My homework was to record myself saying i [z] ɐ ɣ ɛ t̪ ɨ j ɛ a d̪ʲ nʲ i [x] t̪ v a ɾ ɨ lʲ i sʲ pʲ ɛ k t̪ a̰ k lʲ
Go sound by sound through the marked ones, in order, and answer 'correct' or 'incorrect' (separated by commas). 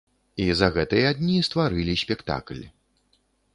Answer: correct, incorrect